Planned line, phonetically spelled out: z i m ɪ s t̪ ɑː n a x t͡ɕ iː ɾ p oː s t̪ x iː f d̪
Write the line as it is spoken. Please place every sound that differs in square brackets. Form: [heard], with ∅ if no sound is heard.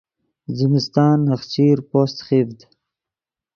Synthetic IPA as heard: z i m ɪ s t̪ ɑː n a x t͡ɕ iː ɾ p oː s t̪ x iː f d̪